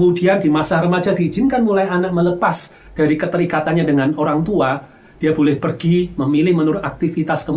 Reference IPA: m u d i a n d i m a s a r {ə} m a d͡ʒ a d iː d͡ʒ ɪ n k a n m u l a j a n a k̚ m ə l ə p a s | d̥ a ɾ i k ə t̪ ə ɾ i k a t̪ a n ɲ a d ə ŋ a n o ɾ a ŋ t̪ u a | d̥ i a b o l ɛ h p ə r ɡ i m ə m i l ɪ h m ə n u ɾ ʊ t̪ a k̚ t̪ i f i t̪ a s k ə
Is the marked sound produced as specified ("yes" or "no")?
yes